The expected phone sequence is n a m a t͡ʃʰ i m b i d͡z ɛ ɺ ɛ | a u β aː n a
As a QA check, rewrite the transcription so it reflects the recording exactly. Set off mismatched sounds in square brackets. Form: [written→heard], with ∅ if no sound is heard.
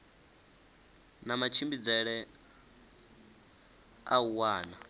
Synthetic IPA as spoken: n a m a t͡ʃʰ i m b i d͡z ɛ ɺ ɛ | a u [β→w] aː n a